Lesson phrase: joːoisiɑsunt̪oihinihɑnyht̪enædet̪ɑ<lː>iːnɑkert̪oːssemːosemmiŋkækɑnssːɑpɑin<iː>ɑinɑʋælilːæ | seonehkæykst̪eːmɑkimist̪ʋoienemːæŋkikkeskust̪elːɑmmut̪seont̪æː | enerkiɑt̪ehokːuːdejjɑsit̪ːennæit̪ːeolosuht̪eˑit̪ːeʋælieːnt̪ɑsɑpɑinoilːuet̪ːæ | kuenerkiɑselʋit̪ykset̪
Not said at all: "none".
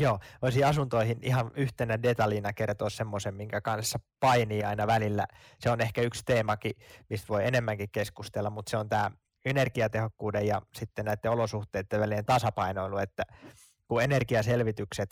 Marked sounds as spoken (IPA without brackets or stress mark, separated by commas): l, iː